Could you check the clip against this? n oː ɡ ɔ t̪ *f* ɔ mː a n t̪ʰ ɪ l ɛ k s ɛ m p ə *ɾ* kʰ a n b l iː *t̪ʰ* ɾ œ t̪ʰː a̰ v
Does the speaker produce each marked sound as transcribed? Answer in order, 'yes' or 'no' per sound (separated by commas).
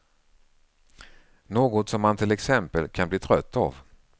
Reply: no, no, yes